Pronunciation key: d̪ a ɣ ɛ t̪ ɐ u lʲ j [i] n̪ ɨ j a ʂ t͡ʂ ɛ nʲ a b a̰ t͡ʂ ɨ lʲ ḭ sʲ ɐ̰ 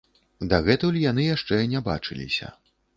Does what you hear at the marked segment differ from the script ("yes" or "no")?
yes